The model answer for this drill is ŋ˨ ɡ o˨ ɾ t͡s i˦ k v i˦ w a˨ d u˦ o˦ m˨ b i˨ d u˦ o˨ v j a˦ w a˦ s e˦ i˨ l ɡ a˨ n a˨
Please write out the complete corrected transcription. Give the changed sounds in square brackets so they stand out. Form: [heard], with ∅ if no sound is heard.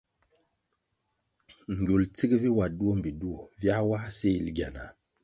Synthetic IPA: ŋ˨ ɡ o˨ [l] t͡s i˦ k v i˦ w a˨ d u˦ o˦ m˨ b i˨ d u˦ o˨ v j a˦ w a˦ s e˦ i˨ l ɡ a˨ n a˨

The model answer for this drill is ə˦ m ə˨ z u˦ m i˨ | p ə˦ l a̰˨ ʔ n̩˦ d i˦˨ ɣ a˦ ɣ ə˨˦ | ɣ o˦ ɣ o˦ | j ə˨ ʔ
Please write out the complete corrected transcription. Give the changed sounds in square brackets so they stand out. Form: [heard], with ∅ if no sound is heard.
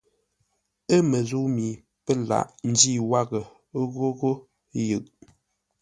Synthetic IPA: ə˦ m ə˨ z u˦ m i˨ | p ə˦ l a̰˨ ʔ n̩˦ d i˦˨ [w] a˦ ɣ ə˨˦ | ɣ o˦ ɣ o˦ | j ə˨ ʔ

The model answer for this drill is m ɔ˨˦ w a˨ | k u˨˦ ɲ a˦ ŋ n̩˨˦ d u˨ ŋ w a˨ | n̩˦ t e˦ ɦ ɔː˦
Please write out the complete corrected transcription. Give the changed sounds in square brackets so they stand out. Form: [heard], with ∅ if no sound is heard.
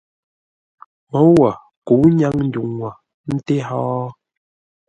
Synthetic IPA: m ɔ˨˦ w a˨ | k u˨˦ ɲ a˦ ŋ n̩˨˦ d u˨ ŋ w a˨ | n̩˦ t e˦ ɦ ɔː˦

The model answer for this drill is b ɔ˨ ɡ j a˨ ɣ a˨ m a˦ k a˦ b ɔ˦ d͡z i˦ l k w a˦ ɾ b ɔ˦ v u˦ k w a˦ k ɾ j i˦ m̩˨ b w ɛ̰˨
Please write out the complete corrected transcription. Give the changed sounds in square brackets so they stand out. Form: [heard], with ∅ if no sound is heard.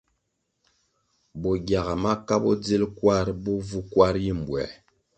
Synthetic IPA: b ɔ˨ ɡ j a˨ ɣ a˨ m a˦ k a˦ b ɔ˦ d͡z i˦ l k w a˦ ɾ b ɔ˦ v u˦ k w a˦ [∅] ɾ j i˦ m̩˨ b w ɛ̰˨

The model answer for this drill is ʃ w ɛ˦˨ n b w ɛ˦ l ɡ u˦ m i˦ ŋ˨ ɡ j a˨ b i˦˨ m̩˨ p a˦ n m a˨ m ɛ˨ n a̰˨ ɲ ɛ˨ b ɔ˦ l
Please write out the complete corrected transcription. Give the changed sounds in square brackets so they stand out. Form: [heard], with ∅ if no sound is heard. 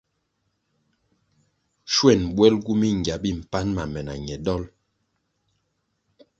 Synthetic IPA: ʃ w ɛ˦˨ n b w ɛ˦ l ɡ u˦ m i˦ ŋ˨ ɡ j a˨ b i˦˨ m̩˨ p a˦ n m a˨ m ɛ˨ n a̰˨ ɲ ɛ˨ [d] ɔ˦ l

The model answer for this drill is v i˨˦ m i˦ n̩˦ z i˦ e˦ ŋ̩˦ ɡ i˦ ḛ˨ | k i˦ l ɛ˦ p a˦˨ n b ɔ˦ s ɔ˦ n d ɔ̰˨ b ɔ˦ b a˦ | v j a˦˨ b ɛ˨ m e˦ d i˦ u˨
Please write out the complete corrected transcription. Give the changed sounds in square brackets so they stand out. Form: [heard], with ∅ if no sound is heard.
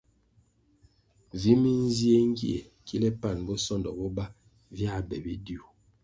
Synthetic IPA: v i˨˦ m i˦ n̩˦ z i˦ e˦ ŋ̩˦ ɡ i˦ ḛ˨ | k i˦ l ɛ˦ p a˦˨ n b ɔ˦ s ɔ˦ n d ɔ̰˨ b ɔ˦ b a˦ | v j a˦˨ b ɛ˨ [b] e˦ d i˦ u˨

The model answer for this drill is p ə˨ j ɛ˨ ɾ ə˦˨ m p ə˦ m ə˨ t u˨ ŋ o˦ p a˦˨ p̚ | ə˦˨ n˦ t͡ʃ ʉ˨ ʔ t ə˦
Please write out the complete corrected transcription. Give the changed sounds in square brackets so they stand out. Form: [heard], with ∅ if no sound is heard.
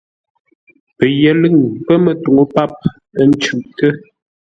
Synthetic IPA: p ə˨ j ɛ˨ [l] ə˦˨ [ŋ] p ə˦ m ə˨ t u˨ ŋ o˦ p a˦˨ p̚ | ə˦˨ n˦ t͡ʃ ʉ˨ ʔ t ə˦

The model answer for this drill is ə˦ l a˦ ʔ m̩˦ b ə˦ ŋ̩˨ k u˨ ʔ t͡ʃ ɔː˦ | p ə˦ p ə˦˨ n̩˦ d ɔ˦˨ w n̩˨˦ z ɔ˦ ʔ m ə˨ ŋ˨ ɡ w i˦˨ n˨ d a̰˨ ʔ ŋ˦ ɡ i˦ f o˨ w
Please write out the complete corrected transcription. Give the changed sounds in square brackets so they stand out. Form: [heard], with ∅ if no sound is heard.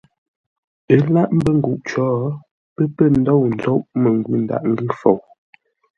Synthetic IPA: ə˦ l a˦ ʔ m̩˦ b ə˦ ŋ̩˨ [ɡ] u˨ ʔ t͡ʃ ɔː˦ | p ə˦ p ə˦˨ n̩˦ d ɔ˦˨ w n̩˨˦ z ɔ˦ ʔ m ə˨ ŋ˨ ɡ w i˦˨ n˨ d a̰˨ ʔ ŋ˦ ɡ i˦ f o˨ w

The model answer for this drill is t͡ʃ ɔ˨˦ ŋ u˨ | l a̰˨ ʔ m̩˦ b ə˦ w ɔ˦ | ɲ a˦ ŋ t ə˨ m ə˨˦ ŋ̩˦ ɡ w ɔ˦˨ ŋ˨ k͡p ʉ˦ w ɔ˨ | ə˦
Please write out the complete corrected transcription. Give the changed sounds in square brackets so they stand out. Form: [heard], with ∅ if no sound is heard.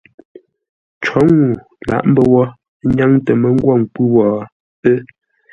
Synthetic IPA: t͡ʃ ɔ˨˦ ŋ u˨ | l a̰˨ ʔ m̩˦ b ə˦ w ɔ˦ | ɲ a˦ ŋ t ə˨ m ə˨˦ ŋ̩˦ ɡ w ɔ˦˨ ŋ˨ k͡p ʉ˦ w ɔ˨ | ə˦

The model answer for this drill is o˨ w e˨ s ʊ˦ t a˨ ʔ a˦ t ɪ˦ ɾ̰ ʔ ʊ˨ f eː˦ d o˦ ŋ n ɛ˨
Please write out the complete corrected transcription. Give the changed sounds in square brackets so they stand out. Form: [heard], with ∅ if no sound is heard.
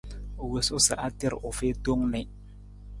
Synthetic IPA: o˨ w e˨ s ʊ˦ [s] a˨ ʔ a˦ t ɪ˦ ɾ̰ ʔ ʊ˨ f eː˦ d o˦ ŋ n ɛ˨

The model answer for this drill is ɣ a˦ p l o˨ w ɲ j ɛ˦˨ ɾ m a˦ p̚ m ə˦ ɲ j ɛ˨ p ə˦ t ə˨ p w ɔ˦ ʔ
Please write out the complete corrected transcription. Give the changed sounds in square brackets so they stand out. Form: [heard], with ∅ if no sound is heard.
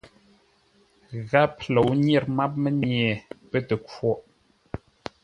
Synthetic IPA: ɣ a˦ p l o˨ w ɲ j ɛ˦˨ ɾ m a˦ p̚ m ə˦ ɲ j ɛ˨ p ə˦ t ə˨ [k] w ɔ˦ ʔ

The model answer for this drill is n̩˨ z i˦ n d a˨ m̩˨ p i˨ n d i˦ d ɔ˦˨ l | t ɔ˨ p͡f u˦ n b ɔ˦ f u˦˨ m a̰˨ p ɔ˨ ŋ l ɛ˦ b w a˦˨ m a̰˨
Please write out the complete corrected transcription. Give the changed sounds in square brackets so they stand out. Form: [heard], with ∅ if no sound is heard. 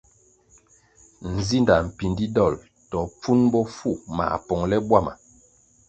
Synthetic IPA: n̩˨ z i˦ n d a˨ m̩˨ p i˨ n d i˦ d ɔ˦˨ l | t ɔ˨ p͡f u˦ n b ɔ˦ f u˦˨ m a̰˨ p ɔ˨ ŋ l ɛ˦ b w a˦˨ m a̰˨

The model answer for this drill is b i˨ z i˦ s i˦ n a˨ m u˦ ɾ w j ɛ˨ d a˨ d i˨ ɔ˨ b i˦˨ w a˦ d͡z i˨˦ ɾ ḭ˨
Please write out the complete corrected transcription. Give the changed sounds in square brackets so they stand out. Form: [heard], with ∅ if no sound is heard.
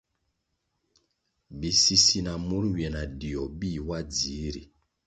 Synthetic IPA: b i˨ [s] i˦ s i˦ n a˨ m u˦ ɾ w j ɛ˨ [n] a˨ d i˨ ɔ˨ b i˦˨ w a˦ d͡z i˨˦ ɾ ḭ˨

